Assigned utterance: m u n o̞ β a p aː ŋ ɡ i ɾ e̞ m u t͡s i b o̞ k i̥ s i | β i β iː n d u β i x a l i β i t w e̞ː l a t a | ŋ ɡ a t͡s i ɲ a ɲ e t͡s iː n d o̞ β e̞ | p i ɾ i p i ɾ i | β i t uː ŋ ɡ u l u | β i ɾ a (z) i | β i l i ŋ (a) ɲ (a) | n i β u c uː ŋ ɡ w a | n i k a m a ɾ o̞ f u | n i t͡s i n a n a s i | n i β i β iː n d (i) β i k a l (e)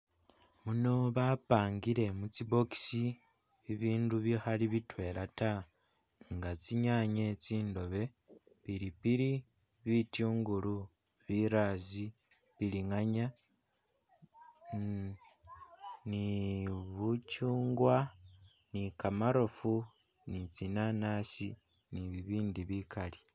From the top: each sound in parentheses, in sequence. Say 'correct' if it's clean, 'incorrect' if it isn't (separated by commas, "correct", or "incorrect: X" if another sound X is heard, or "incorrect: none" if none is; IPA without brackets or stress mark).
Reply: correct, correct, correct, correct, incorrect: i